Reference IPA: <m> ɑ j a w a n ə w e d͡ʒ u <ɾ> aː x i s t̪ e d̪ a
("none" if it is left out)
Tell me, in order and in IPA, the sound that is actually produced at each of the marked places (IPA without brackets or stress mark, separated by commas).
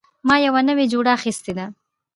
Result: m, ɽ